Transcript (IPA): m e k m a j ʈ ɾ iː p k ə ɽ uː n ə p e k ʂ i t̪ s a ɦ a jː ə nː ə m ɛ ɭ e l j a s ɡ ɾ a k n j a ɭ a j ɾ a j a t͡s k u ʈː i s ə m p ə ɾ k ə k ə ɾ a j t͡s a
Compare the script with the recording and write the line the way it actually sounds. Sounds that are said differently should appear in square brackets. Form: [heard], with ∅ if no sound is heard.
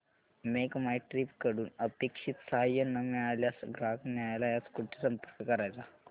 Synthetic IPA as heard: m e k m a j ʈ ɾ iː p k ə ɽ uː n ə p e k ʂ i t̪ s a ɦ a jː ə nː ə m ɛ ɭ [a] l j a s ɡ ɾ a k n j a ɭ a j [l] a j a t͡s k u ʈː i s ə m p ə ɾ k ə k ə ɾ a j t͡s a